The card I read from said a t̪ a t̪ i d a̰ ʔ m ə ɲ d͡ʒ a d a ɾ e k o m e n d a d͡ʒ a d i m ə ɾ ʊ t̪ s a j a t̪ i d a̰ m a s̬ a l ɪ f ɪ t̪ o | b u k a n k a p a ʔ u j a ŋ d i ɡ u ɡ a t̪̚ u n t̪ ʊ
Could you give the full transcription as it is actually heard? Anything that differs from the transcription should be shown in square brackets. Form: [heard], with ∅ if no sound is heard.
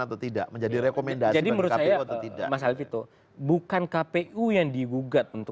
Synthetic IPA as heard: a t̪ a t̪ i d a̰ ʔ m ə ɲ d͡ʒ a d [i] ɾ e k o m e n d a d͡ʒ a d i m ə ɾ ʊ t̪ s a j a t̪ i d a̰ m a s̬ a l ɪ f [i] t̪ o | b u k a n k a p [e] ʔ u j a ŋ d i ɡ u ɡ a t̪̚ u n t̪ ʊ